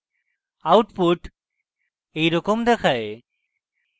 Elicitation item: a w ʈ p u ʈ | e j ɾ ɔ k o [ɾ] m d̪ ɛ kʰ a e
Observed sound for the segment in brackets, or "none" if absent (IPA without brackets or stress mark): none